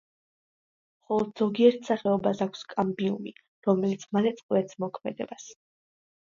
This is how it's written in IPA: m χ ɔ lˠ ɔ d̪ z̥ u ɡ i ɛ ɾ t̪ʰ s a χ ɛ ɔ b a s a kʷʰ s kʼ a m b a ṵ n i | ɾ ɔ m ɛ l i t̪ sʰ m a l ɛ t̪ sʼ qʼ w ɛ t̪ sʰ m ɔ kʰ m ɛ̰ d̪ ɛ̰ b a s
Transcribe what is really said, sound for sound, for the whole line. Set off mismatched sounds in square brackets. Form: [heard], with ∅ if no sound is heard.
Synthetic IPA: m χ ɔ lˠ ɔ d̪ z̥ [ɔ] ɡ i ɛ ɾ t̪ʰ s a χ ɛ ɔ b a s a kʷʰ s kʼ a m b [i] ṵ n i | ɾ ɔ m ɛ l i t̪ sʰ m a l ɛ t̪ sʼ qʼ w ɛ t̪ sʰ m ɔ kʰ m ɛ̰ d̪ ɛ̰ b a s